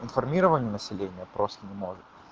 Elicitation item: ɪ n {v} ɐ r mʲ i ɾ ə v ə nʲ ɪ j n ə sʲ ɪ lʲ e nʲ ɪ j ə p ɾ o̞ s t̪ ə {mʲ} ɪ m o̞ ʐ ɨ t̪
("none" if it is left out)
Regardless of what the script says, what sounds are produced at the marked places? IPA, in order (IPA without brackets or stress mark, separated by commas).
f, nʲ